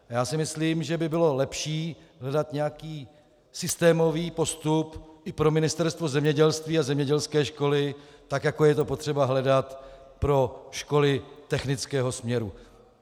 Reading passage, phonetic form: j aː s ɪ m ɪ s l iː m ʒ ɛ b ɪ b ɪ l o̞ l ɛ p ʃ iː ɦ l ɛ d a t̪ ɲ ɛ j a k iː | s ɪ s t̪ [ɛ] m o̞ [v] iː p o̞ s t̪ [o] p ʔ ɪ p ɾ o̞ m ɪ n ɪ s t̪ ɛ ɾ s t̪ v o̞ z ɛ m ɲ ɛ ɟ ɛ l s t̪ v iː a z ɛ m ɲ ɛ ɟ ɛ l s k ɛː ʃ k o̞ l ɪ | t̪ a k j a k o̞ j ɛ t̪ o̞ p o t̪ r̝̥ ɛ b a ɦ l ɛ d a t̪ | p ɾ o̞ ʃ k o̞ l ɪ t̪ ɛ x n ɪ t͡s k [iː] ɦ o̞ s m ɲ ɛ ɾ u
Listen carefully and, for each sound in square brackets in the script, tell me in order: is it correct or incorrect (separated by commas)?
incorrect, correct, incorrect, incorrect